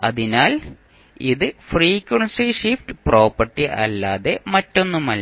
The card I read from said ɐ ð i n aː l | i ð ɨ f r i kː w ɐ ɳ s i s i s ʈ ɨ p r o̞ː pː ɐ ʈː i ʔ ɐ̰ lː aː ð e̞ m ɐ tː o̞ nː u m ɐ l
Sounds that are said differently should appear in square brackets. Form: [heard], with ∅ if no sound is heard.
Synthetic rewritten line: ɐ ð i n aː l | i ð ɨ f r [iː] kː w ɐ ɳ s i [ʂ] i [f] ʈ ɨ p r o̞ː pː ɐ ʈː i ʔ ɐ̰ lː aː ð e̞ m ɐ tː o̞ nː u m ɐ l